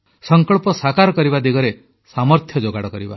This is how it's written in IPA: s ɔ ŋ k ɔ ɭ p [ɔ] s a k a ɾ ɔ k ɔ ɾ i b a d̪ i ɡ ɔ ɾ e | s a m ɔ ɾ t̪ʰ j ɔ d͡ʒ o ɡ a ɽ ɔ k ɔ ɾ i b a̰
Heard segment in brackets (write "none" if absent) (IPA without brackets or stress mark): ɔ